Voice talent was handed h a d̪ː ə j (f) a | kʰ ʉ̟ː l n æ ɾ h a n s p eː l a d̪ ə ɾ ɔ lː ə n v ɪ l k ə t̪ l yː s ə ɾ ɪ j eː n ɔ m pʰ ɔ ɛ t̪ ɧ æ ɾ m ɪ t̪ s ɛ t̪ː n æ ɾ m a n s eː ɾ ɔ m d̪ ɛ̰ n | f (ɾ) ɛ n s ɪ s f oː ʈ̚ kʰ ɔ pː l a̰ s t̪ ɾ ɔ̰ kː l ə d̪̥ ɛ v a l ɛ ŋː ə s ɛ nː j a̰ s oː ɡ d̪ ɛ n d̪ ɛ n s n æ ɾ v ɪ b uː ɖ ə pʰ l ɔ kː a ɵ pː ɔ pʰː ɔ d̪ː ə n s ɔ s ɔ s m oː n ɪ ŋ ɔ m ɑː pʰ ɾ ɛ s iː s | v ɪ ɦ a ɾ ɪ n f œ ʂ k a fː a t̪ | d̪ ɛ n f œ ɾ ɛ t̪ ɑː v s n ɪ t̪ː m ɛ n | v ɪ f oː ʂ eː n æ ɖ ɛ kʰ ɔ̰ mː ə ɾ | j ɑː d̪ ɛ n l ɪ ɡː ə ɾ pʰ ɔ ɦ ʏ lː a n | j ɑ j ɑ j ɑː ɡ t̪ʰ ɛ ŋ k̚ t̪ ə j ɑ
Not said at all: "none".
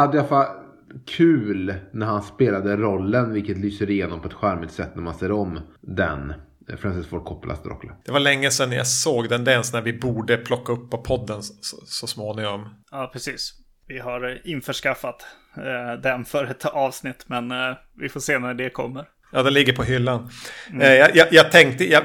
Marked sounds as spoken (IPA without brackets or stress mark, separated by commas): f, ɾ